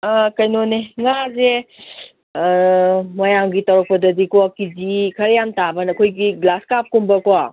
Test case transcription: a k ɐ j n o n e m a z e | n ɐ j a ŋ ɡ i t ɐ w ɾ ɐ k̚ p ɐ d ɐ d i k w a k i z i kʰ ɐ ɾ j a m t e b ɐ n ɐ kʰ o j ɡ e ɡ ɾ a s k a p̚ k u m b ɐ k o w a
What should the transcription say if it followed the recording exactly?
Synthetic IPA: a k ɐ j n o n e ŋ a z e | m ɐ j a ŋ ɡ i t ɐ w ɾ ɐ k̚ p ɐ d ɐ d i k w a k i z i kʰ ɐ ɾ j a m t a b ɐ n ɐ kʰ o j ɡ i ɡ l a s k a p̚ k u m b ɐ k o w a